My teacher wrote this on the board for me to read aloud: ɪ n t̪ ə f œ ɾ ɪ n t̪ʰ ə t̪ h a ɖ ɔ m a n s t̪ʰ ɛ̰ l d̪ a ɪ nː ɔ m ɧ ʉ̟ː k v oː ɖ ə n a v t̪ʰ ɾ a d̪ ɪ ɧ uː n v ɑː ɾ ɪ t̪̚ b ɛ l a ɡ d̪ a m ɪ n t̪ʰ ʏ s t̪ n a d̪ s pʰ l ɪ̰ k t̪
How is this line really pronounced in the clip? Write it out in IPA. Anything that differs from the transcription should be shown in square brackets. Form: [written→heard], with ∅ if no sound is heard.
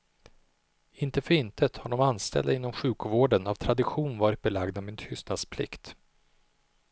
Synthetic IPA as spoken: ɪ n t̪ ə f œ ɾ ɪ n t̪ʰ ə t̪ h a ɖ ɔ m a n s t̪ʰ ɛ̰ l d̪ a ɪ nː ɔ m ɧ ʉ̟ː k v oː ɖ ə n a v t̪ʰ ɾ a d̪ ɪ ɧ uː n v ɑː ɾ ɪ t̪̚ b ɛ l a ɡ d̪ a m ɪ n t̪ʰ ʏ s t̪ n a d̪ s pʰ l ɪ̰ k t̪

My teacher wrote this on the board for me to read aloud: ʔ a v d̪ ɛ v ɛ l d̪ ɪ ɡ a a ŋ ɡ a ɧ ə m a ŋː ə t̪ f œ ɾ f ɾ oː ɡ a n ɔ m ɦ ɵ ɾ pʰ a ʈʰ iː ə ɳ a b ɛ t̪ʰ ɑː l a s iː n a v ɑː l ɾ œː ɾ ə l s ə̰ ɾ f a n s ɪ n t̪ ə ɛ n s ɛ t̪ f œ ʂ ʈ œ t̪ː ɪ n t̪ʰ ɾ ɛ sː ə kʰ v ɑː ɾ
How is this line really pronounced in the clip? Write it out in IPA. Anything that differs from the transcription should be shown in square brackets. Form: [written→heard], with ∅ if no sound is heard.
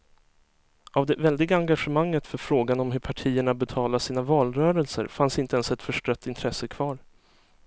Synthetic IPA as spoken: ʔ a v d̪ ɛ v ɛ l d̪ ɪ ɡ a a ŋ ɡ a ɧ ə m a ŋː ə t̪ f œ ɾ f ɾ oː ɡ a n ɔ m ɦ ɵ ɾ pʰ a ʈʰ iː ə ɳ a b ɛ t̪ʰ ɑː l a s iː n a v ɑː l ɾ œː ɾ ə l s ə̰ ɾ f a n s ɪ n t̪ ə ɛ n s ɛ t̪ f œ ʂ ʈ œ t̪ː ɪ n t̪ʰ ɾ ɛ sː ə kʰ v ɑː ɾ

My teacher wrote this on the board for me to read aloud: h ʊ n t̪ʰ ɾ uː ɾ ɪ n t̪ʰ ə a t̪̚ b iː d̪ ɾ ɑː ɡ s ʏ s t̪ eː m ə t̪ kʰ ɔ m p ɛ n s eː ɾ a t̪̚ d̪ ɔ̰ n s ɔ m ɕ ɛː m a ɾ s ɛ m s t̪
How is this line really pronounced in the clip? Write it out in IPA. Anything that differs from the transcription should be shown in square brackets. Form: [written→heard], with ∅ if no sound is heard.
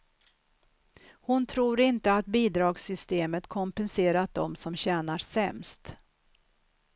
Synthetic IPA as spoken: h ʊ n t̪ʰ ɾ uː ɾ ɪ n [t̪ʰ→t̪] ə a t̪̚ b iː d̪ ɾ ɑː ɡ s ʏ s t̪ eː m ə t̪ kʰ ɔ m p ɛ n s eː ɾ a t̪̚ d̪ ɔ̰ [n→m] s ɔ m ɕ ɛː [m→n] a ɾ s ɛ m s t̪

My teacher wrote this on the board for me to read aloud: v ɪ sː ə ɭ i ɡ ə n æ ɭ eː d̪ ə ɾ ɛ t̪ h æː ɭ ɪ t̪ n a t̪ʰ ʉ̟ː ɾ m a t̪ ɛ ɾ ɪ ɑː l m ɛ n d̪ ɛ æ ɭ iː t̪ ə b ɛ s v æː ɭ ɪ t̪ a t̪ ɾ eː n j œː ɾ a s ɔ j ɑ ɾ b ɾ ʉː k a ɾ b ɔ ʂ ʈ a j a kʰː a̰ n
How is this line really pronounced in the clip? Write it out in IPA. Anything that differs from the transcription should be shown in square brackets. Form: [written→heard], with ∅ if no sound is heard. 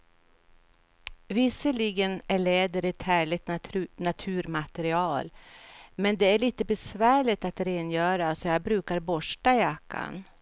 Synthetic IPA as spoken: v ɪ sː ə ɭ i ɡ ə n æ ɭ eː d̪ ə ɾ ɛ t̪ h æː ɭ ɪ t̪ n a t̪ʰ ʉ̟ː ɾ m a t̪ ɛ ɾ ɪ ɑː l m ɛ n d̪ ɛ æ ɭ iː t̪ ə b ɛ s v æː ɭ ɪ t̪ a t̪ ɾ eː n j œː ɾ a s ɔ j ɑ [ɾ→∅] b ɾ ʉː k a ɾ b ɔ ʂ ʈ a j a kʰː a̰ n

